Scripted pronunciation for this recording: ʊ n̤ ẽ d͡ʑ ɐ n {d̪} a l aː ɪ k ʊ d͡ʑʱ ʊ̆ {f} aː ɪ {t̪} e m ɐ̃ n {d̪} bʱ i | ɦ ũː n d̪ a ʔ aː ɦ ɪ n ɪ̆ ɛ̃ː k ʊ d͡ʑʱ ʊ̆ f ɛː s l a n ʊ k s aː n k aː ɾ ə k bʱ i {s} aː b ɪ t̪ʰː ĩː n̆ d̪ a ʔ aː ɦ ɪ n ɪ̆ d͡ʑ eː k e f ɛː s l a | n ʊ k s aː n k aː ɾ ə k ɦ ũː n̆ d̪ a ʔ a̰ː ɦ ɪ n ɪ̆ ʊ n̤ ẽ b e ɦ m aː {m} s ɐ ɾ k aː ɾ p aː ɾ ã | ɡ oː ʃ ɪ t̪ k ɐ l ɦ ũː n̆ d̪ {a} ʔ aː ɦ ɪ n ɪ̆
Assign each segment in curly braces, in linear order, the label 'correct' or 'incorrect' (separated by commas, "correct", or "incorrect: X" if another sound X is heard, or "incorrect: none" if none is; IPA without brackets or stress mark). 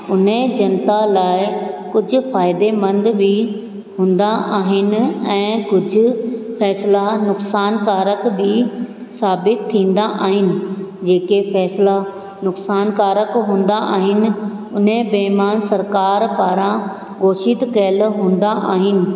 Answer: incorrect: t̪, correct, incorrect: d̪, correct, correct, incorrect: n, correct